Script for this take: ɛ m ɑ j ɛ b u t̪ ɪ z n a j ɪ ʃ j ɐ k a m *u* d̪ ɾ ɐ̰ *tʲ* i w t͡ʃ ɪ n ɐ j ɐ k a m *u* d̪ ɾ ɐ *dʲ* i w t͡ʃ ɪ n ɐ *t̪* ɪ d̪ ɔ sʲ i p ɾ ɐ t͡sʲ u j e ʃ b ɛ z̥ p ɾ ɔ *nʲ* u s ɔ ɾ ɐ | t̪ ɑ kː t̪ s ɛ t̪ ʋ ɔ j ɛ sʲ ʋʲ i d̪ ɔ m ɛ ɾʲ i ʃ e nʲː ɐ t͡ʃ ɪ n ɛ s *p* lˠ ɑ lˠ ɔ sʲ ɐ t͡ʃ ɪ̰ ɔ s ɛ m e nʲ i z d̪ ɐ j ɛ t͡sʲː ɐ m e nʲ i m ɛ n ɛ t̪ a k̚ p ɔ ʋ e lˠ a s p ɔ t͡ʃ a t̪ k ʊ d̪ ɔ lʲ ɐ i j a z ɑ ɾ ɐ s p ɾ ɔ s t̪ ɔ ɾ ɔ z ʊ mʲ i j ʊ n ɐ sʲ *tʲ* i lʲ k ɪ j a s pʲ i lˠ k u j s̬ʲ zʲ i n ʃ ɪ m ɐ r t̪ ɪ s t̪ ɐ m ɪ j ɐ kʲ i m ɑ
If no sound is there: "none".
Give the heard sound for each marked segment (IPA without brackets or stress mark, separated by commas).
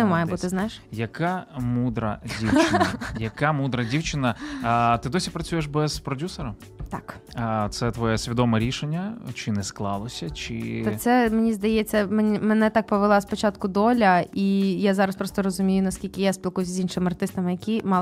u, dʲ, u, dʲ, t̪, dʲ, k, kʲ